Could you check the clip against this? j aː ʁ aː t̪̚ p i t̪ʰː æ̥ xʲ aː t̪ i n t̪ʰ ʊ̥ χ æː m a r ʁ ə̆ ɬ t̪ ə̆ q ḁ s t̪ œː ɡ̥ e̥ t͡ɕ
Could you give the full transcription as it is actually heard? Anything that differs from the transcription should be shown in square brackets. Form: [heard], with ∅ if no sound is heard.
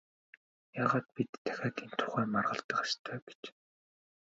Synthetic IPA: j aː ʁ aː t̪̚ p i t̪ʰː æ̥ xʲ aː t̪ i n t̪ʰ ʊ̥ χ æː m a r ʁ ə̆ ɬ t̪ ə̆ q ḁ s [t̪ʰ] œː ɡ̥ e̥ t͡ɕ